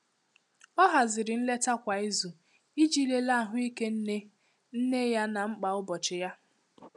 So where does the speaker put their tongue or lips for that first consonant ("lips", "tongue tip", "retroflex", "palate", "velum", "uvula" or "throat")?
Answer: throat